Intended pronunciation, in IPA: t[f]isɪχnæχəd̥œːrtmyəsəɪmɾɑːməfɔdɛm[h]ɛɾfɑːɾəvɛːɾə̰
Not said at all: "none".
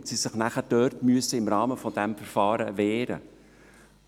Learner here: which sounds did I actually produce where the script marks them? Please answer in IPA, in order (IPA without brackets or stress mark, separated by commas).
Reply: s, f